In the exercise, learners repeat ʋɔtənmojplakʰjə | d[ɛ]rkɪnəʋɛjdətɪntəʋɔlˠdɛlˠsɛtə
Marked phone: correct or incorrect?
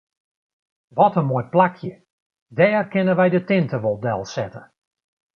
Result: incorrect